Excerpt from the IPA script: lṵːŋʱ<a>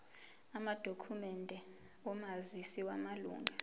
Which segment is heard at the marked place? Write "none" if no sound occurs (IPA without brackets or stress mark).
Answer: a